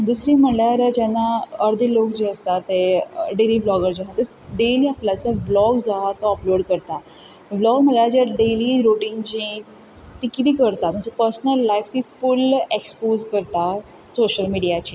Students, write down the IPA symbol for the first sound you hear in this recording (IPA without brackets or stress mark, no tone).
d̪